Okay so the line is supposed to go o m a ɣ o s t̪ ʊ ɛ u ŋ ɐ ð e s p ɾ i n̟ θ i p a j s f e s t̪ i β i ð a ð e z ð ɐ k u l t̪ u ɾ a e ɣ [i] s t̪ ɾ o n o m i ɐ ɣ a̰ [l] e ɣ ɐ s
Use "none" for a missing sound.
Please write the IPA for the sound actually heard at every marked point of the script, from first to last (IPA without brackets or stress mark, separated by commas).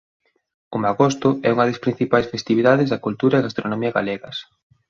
a, l